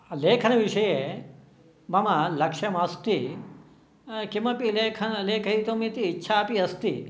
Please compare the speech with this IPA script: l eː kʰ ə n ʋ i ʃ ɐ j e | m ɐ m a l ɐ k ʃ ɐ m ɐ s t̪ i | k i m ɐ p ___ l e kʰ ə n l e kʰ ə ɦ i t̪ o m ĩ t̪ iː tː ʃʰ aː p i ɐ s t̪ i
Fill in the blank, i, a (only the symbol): i